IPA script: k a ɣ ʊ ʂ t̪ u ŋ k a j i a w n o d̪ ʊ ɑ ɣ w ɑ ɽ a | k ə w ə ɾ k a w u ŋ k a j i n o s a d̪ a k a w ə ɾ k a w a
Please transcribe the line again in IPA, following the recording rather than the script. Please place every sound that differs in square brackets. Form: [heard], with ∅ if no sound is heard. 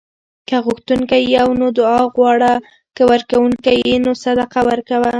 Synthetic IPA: k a ɣ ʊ [x] t̪ u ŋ k a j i a w n o d̪ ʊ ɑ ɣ w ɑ ɽ a | k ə w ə ɾ k a w u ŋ k a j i n o s a d̪ a [q] a w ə ɾ k a w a